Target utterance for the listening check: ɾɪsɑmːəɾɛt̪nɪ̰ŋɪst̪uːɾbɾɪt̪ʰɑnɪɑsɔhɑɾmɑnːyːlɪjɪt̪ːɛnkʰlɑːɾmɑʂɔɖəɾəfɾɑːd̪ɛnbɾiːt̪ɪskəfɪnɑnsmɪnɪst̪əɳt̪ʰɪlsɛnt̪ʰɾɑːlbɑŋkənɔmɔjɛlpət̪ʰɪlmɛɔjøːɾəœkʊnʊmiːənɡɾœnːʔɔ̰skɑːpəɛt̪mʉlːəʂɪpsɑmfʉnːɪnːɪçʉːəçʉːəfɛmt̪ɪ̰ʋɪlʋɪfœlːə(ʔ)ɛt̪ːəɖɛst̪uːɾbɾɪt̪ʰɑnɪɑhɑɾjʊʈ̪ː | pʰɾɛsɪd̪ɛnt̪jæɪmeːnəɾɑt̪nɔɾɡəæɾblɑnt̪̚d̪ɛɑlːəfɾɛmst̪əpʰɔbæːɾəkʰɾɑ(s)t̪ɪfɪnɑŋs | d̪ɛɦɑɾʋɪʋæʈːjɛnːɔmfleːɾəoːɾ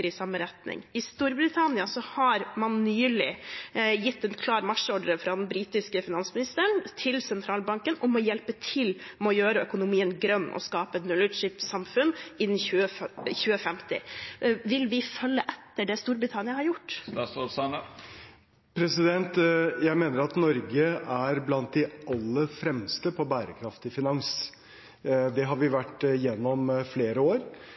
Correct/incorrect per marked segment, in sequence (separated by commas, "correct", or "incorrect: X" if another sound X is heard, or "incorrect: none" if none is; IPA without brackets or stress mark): correct, incorrect: f